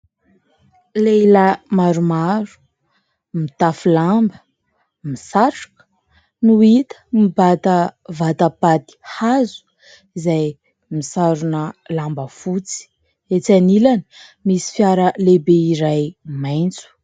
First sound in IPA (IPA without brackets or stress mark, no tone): l